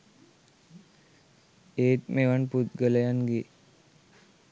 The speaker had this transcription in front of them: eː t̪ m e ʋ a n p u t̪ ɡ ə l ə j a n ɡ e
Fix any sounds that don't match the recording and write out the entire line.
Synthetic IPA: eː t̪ m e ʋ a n p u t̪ ɡ ə l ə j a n ɡ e